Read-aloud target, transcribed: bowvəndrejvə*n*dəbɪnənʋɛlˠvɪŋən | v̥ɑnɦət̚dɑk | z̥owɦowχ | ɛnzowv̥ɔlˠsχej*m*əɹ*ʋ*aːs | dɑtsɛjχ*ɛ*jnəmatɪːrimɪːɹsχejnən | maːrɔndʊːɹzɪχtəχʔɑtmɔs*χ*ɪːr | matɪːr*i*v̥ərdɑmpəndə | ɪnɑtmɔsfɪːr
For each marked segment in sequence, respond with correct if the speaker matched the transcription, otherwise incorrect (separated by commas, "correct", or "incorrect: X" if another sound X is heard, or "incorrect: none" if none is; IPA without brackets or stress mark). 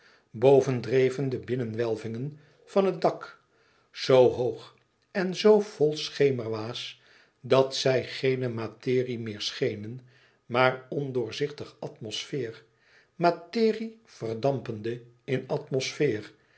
correct, correct, correct, incorrect: e, incorrect: f, correct